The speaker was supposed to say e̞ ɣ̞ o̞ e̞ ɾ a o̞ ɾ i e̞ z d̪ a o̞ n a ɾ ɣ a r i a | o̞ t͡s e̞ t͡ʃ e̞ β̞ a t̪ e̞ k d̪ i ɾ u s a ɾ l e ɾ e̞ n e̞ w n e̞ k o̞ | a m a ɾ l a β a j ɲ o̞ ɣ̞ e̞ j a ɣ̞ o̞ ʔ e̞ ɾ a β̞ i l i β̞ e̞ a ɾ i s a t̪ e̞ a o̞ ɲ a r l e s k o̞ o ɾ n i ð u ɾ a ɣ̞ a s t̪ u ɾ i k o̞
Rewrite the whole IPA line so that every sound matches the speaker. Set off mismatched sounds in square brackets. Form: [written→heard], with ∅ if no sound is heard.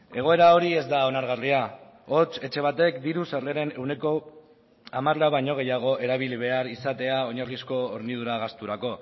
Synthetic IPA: e̞ ɣ̞ o̞ e̞ ɾ a o̞ ɾ i e̞ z d̪ a o̞ n a ɾ ɣ a r i a | o̞ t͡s e̞ t͡ʃ e̞ β̞ a t̪ e̞ k d̪ i ɾ u s a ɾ l e ɾ e̞ n e̞ w n e̞ k o̞ | a m a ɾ l a β a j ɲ o̞ ɣ̞ e̞ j a ɣ̞ o̞ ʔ e̞ ɾ a β̞ i l i β̞ e̞ a ɾ i s a t̪ e̞ a o̞ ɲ a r l [e→i] s k o̞ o ɾ n i ð u ɾ a ɣ̞ a s t̪ u ɾ [i→a] k o̞